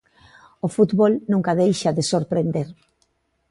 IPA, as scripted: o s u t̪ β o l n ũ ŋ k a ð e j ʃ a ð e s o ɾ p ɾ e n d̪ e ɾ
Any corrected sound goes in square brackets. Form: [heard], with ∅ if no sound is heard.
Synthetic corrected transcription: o [f] u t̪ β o l n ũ ŋ k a ð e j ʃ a ð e s o ɾ p ɾ e n d̪ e ɾ